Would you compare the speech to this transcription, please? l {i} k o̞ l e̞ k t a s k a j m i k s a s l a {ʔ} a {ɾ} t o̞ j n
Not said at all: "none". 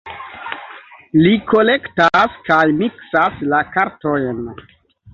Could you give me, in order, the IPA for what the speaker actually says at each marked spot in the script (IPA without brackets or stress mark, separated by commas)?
i, k, ɾ